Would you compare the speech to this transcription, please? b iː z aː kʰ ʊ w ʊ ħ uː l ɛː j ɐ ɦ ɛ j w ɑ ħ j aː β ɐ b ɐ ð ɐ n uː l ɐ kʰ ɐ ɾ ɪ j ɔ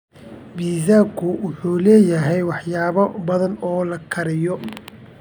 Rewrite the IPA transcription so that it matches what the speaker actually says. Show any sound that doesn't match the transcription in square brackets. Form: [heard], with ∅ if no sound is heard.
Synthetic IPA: b iː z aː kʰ ʊ w ʊ ħ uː l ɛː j ɐ ɦ ɛ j w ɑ ħ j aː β ɐ b ɐ ð ɐ n [ɔː] l ɐ kʰ ɐ ɾ ɪ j ɔ

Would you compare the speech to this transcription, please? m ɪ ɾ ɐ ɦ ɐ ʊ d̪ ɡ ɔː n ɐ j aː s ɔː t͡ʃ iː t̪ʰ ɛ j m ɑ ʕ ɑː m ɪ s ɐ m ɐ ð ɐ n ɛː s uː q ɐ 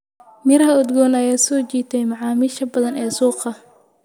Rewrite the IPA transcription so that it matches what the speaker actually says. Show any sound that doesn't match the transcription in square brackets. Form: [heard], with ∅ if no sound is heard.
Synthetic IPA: m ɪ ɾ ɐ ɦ ɐ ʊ d̪ ɡ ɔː n ɐ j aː s ɔː t͡ʃ iː t̪ʰ ɛ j m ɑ ʕ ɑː m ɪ [ʃ] ɐ [b] ɐ ð ɐ n ɛː s uː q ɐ

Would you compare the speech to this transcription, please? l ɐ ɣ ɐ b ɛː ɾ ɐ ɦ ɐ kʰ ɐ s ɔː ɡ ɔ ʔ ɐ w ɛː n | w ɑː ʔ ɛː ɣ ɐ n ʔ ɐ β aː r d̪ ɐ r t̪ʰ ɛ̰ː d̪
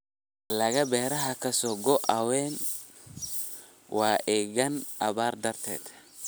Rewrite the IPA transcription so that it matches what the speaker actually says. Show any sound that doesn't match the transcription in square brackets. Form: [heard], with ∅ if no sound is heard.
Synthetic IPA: l ɐ ɣ ɐ b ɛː ɾ ɐ ɦ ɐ kʰ ɐ s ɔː ɡ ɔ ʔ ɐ w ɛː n | w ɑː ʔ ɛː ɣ ɐ n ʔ ɐ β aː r d̪ ɐ r t̪ʰ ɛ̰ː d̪

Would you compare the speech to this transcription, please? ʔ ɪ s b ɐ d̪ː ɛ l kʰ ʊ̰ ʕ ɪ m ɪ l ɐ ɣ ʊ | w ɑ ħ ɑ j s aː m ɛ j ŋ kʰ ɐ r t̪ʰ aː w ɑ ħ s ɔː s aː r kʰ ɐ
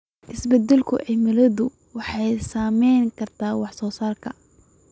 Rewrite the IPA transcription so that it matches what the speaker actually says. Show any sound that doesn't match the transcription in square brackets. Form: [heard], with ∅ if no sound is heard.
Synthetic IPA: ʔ ɪ s b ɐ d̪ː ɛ l kʰ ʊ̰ ʕ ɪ m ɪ l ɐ [ð] ʊ | w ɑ ħ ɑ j s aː m ɛ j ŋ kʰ ɐ r t̪ʰ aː w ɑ ħ s ɔː s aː r kʰ ɐ

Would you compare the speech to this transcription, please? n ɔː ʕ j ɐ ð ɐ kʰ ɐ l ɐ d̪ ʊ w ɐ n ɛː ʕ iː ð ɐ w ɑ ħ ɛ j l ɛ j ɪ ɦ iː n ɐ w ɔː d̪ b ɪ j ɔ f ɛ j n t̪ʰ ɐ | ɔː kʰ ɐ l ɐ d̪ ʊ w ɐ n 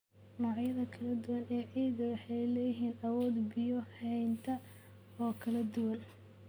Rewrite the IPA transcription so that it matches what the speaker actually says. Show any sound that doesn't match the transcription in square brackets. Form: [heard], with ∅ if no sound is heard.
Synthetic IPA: n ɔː ʕ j ɐ ð ɐ kʰ ɐ l ɐ d̪ ʊ w ɐ n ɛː ʕ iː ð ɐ w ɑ ħ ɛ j l ɛ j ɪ ɦ iː n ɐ w ɔː d̪ b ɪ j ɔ [h] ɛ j n t̪ʰ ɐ | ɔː kʰ ɐ l ɐ d̪ ʊ w ɐ n

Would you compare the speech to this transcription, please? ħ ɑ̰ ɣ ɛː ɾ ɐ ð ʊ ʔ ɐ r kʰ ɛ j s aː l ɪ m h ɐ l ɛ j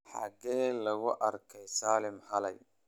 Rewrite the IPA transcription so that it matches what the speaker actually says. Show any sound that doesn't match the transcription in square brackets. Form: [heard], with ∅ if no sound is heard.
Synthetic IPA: ħ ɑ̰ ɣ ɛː [l] ɐ [ɣ] ʊ ʔ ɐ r kʰ ɛ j s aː l ɪ m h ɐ l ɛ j

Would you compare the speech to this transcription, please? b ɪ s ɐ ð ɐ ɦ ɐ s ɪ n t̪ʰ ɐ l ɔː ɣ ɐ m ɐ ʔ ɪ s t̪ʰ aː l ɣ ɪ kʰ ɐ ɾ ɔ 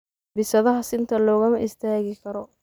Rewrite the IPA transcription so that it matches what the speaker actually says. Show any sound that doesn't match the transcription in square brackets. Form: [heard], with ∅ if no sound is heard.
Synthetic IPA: b ɪ s ɐ ð ɐ ɦ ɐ s ɪ n t̪ʰ ɐ l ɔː ɣ ɐ m ɐ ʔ ɪ s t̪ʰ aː [∅] ɣ ɪ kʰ ɐ ɾ ɔ

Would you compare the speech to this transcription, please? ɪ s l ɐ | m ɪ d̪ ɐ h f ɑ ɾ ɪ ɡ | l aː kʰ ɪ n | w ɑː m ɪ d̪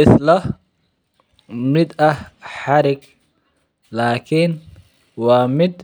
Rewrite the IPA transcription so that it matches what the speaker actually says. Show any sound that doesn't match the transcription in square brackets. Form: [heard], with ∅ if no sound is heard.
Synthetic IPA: ɪ s l ɐ | m ɪ d̪ ɐ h [ħ] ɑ ɾ ɪ ɡ | l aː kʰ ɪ n | w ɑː m ɪ d̪

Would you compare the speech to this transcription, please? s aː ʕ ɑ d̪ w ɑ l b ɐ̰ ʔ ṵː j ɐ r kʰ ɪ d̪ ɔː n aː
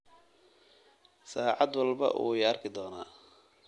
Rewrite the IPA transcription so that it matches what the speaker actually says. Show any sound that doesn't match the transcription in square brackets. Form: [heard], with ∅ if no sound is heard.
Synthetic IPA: s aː ʕ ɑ d̪ w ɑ l b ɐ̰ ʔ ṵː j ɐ r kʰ ɪ d̪ ɔː n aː

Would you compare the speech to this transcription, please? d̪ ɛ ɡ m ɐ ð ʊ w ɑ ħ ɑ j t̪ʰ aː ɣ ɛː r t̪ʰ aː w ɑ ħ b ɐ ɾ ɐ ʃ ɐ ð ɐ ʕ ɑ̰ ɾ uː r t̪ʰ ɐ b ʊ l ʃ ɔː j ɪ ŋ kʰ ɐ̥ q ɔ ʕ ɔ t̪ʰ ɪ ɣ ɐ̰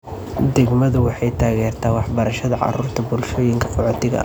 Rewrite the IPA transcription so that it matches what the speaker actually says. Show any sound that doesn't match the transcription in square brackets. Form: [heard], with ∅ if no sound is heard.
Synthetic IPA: d̪ ɛ ɡ m ɐ ð ʊ w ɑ ħ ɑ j t̪ʰ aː ɣ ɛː r t̪ʰ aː w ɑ ħ b ɐ ɾ ɐ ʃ ɐ ð ɐ ʕ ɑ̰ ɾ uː r t̪ʰ ɐ b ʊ l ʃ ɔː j ɪ ŋ kʰ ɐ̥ q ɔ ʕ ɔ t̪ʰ ɪ ɣ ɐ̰

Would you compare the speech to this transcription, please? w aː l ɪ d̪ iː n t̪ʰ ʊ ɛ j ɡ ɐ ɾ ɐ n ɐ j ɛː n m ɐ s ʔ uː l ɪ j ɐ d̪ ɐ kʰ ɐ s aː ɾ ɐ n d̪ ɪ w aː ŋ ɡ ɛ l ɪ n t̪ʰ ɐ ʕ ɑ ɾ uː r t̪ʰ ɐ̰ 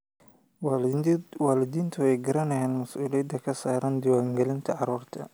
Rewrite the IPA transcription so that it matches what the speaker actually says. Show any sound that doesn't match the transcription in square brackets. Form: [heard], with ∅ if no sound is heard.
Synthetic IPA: w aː l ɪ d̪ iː n t̪ʰ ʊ ɛ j ɡ ɐ ɾ ɐ n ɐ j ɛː n m ɐ s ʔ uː l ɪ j ɐ d̪ ɐ kʰ ɐ s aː ɾ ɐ n d̪ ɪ w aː ŋ ɡ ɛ l ɪ n t̪ʰ ɐ ʕ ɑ ɾ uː r t̪ʰ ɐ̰

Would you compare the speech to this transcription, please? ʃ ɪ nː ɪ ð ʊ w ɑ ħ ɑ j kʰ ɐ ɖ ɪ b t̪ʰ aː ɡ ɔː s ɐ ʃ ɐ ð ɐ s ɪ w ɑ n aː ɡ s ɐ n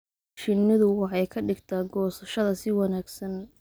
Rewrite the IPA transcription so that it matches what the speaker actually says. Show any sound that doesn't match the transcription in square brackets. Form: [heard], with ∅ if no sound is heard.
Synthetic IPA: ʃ ɪ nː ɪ ð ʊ w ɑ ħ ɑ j kʰ ɐ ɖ ɪ [ɡ] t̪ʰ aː ɡ ɔː s ɐ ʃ ɐ ð ɐ s ɪ w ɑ n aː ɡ s ɐ n

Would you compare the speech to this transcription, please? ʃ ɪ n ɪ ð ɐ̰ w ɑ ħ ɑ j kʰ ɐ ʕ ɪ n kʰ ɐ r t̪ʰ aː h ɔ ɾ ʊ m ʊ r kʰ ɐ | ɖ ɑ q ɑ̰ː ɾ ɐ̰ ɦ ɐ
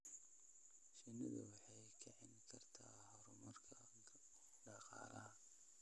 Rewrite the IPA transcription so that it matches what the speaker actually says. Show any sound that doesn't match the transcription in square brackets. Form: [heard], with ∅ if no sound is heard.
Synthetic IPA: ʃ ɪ n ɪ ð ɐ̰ w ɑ ħ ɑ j kʰ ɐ ʕ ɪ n kʰ ɐ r t̪ʰ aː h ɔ ɾ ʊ m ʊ r kʰ ɐ | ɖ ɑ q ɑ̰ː [l] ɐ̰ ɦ ɐ

